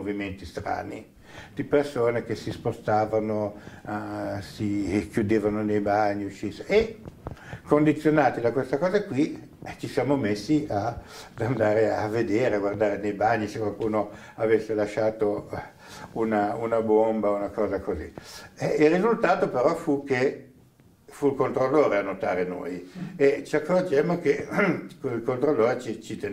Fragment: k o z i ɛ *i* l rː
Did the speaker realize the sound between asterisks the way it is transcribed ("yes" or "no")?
yes